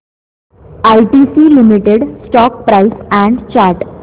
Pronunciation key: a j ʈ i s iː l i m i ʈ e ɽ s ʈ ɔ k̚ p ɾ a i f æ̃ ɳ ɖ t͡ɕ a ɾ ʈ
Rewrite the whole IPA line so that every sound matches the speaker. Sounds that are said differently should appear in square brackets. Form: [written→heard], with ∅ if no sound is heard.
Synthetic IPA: a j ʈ i s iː l i m i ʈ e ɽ s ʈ ɔ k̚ p ɾ a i [f→s] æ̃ ɳ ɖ t͡ɕ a ɾ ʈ